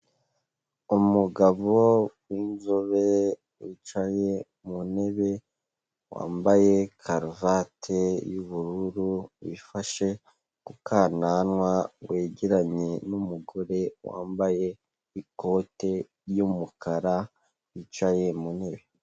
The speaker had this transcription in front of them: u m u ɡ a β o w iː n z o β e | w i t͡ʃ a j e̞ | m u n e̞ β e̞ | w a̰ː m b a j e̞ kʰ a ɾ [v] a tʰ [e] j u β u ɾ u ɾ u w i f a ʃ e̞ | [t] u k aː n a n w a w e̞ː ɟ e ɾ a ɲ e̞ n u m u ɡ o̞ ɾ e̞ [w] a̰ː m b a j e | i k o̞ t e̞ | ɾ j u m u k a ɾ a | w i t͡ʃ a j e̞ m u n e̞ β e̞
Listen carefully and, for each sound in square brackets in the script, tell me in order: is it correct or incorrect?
correct, correct, incorrect: k, correct

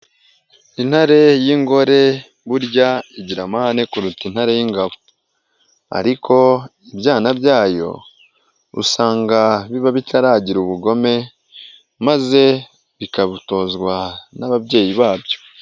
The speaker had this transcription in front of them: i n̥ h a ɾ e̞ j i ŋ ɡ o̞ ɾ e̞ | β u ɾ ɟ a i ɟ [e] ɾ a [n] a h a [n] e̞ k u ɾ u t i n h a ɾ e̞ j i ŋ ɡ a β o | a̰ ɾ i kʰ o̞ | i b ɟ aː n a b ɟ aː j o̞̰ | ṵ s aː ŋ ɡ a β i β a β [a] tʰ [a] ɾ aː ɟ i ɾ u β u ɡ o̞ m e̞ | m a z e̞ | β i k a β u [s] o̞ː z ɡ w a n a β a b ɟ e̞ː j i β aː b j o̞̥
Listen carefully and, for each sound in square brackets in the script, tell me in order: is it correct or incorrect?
incorrect: i, incorrect: m, correct, incorrect: i, correct, incorrect: t

